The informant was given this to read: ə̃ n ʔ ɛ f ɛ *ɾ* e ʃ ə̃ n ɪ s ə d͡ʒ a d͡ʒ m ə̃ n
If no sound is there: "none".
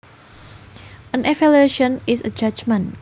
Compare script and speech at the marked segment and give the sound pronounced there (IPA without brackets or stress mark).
l